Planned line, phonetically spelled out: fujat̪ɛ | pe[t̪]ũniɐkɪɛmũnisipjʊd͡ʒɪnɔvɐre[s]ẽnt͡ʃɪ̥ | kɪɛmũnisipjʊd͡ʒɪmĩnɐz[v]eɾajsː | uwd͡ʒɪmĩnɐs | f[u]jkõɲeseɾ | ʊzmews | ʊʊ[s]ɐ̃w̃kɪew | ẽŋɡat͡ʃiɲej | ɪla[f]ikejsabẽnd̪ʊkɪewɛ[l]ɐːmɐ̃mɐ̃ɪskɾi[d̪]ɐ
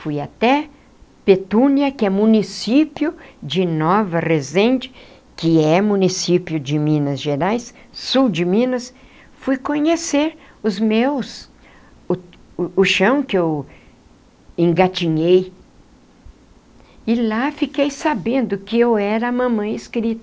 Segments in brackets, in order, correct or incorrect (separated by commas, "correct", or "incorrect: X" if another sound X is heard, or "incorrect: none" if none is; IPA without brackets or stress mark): correct, incorrect: z, incorrect: ʒ, correct, incorrect: ʃ, correct, incorrect: ɾ, incorrect: t̪